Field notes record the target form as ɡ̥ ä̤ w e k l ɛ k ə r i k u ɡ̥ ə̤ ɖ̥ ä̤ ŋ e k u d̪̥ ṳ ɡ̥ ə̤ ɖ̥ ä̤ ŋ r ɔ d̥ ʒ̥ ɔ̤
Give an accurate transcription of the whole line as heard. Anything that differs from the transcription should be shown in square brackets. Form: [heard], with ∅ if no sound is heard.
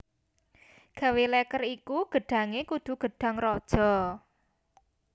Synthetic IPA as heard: ɡ̥ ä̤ w e [∅] l ɛ k ə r i k u ɡ̥ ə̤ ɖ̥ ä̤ ŋ e k u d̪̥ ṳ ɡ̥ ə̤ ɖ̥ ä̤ ŋ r ɔ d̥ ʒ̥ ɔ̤